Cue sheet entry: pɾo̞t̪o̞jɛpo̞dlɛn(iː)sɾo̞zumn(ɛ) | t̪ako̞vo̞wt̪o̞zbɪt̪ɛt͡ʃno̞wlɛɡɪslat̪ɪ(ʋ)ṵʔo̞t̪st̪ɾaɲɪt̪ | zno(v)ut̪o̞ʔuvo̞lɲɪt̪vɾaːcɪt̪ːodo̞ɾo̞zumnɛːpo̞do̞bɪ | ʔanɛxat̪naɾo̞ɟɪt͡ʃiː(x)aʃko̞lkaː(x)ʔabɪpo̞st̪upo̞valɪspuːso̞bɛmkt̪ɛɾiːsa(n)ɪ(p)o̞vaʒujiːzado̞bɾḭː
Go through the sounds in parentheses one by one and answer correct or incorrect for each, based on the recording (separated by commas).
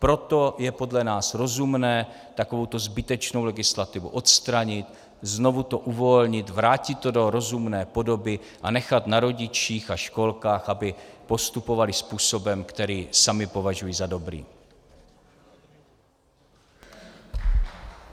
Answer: incorrect, incorrect, incorrect, correct, correct, correct, incorrect, correct